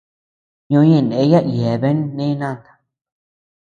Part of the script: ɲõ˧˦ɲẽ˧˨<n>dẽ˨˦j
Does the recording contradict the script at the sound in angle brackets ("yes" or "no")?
no